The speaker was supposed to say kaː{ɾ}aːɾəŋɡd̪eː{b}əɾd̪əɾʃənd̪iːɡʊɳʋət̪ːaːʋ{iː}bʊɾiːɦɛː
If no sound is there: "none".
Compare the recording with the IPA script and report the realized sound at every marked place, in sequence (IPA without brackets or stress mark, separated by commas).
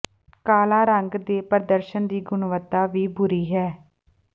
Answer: l, p, iː